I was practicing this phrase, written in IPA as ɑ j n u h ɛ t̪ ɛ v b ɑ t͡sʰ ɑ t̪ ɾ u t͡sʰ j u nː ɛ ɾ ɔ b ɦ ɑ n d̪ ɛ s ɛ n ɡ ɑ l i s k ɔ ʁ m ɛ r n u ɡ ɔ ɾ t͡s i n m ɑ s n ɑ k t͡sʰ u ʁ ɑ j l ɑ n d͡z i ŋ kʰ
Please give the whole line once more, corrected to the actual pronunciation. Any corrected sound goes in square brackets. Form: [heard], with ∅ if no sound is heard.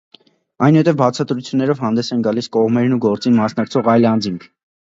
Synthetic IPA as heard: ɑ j n u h ɛ t̪ ɛ v b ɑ t͡sʰ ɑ t̪ ɾ u t͡sʰ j u nː ɛ ɾ ɔ [v] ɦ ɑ n d̪ ɛ s ɛ n ɡ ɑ l i s k ɔ ʁ m ɛ [ɾ] n u ɡ ɔ ɾ t͡s i n m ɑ s n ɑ k t͡sʰ [ɔ] ʁ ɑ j l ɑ n d͡z i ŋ kʰ